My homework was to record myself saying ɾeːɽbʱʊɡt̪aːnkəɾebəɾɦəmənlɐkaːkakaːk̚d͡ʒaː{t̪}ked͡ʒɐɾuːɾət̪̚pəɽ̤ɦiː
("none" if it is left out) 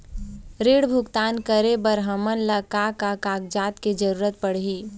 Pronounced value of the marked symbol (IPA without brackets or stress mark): t̪